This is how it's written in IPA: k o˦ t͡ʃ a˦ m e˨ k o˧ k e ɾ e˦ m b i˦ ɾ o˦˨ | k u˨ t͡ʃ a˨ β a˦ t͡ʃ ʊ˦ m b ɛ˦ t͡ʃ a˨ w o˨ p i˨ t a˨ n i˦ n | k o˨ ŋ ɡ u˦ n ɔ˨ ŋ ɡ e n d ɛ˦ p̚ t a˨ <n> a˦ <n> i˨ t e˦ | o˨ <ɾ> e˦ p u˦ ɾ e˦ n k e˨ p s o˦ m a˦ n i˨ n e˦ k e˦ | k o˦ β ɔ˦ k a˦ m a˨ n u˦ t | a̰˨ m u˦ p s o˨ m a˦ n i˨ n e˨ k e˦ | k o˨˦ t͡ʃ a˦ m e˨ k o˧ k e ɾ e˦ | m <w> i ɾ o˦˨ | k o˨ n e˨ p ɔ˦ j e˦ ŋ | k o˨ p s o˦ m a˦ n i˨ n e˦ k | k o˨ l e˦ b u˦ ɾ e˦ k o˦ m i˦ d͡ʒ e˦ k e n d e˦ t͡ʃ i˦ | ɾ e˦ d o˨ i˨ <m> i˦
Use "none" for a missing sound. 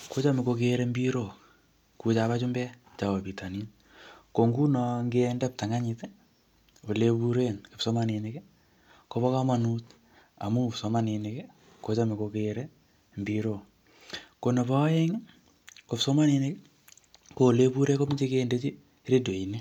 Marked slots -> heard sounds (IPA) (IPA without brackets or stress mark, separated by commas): ŋ, ɲ, l, b, n